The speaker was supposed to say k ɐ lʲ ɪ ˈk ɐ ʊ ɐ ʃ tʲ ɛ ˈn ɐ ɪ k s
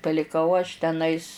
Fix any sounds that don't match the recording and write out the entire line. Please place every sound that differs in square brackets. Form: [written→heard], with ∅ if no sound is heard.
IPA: [k→p] ɐ lʲ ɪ ˈk ɐ ʊ ɐ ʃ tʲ ɛ ˈn ɐ ɪ [k→∅] s